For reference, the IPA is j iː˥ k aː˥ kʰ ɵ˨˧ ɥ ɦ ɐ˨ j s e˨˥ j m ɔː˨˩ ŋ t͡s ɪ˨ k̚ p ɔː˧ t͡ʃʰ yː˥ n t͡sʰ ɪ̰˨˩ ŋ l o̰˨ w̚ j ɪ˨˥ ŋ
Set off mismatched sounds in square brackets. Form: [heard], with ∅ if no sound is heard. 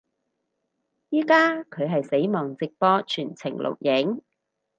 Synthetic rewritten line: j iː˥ k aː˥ kʰ ɵ˨˧ ɥ ɦ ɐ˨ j s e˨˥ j m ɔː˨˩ ŋ t͡s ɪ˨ k̚ p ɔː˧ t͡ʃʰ [yː˨˩] n t͡sʰ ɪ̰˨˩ ŋ l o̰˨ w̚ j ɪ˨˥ ŋ